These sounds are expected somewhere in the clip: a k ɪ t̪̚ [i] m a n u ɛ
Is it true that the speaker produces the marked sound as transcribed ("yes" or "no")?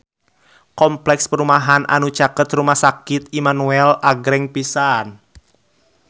yes